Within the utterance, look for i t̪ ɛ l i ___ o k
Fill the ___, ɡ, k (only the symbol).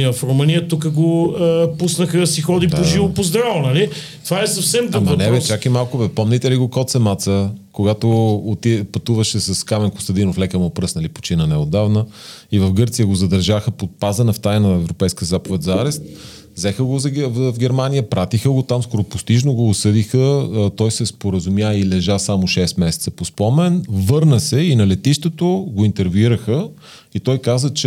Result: ɡ